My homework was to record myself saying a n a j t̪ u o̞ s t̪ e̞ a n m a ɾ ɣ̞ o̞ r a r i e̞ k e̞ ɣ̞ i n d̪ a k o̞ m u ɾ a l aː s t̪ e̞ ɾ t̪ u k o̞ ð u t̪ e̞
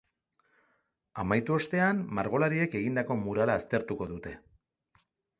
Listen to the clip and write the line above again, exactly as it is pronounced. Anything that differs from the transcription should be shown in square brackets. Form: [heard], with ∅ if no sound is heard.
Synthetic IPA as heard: a [m] a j t̪ u o̞ s t̪ e̞ a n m a ɾ ɣ̞ o̞ [l] a [ɾ] i e̞ k e̞ ɣ̞ i n d̪ a k o̞ m u ɾ a l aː s t̪ e̞ ɾ t̪ u k o̞ ð u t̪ e̞